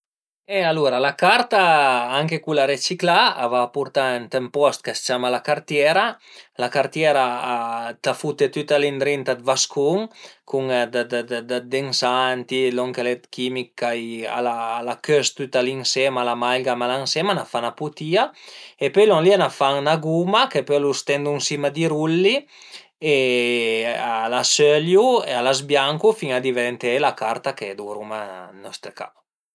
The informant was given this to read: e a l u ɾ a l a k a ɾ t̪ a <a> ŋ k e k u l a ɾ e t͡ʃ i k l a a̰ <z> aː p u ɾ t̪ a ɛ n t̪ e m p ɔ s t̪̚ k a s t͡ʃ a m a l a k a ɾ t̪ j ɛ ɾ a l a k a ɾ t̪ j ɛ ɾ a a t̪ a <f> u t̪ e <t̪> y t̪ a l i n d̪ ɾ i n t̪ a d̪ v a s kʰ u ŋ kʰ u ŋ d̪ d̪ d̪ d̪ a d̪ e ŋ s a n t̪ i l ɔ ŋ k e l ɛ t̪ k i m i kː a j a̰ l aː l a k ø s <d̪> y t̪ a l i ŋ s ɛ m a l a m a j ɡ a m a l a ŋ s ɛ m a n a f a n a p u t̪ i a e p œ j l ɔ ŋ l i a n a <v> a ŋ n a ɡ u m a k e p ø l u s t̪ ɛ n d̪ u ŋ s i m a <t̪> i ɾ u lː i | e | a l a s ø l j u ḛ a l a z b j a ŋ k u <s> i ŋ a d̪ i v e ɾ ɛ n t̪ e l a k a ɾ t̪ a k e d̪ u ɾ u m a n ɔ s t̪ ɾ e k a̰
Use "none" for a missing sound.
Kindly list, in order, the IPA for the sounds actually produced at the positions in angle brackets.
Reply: a, v, f, t̪, t̪, f, d̪, f

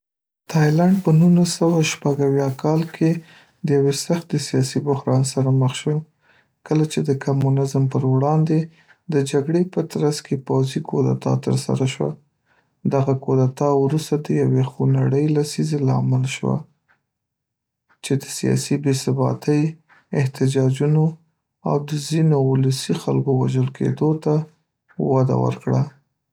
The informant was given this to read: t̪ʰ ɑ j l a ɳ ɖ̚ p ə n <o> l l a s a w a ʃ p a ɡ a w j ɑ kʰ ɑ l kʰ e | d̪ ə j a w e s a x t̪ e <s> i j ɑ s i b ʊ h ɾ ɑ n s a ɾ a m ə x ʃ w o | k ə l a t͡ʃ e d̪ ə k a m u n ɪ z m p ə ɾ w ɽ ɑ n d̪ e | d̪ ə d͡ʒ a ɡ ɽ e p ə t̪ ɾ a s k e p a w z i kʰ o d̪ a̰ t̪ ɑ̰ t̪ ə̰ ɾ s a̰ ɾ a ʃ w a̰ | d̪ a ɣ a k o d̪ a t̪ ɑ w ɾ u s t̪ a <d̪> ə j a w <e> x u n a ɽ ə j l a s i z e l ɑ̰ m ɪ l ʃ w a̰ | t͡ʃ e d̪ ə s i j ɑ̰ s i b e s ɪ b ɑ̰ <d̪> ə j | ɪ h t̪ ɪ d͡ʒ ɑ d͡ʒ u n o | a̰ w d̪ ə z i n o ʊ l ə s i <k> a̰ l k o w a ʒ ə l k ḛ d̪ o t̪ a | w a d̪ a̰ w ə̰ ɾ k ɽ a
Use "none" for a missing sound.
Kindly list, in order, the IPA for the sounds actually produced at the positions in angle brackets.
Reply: u, s, d̪, e, t̪, x

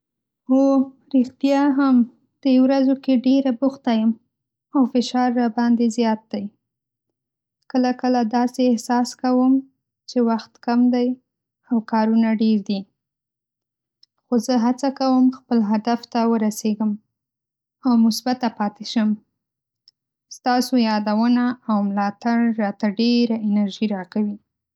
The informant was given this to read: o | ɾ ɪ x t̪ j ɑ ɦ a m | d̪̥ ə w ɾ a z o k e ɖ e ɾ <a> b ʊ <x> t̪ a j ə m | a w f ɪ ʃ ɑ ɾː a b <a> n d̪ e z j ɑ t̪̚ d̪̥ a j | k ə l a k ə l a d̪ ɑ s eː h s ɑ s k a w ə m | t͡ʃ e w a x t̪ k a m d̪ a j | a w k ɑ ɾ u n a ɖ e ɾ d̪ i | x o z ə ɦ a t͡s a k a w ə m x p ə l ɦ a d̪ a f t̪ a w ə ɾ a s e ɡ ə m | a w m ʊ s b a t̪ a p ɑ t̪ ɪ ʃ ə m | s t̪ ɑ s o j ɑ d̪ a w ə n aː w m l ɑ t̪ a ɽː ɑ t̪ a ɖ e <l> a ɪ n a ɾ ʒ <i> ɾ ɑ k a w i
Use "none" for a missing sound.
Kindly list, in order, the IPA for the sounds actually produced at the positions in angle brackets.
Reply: a, x, ɑ, ɾ, i

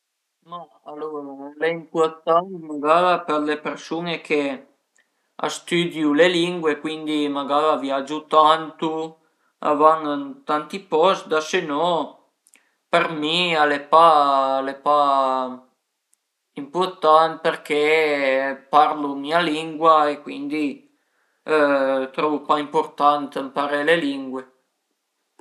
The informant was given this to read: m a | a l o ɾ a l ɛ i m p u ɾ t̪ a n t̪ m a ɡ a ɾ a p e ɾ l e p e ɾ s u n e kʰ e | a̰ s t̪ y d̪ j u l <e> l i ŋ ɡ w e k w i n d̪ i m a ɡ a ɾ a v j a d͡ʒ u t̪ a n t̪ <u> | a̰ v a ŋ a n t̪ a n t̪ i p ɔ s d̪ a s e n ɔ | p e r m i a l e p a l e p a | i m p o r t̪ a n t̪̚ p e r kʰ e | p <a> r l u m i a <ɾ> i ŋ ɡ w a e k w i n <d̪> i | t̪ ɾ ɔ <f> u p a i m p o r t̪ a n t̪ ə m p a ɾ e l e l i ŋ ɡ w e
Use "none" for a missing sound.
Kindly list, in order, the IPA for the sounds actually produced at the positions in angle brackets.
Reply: e, u, a, l, d̪, v

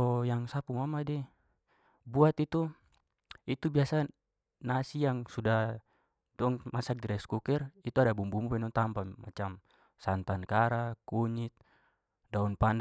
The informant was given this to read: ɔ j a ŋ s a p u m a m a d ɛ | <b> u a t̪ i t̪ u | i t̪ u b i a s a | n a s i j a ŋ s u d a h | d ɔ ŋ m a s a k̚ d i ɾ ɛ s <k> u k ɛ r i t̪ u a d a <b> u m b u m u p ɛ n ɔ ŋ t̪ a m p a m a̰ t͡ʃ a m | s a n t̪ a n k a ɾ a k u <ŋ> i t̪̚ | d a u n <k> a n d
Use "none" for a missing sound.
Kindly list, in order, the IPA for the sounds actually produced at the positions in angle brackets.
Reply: b, k, b, ɲ, p

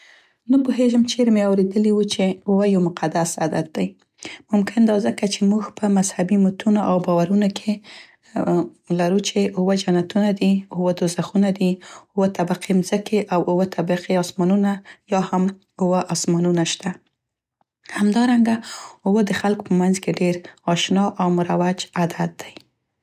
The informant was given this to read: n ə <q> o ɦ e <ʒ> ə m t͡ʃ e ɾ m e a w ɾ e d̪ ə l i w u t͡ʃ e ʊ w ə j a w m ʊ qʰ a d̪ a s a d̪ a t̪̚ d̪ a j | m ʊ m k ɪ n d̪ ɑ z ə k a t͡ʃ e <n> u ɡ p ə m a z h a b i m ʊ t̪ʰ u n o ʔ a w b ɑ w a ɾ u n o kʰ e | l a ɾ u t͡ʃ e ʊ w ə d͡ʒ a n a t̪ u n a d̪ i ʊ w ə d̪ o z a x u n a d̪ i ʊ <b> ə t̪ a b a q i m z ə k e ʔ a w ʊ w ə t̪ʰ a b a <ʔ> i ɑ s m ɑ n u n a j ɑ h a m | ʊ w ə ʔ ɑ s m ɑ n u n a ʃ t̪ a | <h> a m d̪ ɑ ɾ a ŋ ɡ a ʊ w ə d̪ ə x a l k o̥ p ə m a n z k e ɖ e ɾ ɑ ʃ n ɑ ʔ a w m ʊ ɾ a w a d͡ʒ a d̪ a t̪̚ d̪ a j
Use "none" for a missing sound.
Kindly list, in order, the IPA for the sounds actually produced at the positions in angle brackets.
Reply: p, ʒ, m, w, q, h

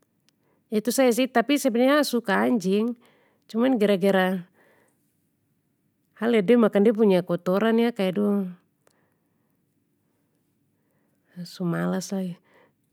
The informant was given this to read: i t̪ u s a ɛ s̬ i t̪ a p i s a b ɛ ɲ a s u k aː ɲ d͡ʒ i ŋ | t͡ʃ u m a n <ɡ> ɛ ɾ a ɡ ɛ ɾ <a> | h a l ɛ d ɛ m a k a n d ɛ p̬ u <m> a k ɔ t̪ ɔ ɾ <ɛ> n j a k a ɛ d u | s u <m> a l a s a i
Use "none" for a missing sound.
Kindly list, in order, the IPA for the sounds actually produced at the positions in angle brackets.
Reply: ɡ, a, ɲ, a, m

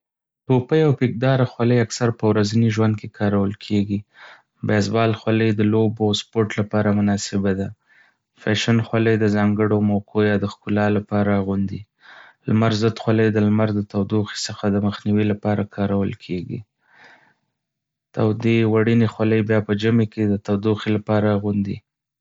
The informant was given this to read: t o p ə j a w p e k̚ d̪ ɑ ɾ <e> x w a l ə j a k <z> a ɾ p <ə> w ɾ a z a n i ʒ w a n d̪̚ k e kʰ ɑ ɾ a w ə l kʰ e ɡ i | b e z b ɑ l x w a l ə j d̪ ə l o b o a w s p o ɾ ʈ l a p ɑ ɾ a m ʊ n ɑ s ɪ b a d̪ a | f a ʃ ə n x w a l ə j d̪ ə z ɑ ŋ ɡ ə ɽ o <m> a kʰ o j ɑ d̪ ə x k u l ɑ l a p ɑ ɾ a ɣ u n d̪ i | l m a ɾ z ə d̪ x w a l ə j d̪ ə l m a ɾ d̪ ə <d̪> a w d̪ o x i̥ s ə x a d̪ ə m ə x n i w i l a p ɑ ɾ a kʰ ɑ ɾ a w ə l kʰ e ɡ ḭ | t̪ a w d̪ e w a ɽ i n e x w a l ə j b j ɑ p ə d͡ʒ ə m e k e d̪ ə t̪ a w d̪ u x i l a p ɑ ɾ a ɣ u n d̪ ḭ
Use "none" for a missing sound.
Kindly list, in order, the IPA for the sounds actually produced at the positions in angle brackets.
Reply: a, s, ə, m, t̪

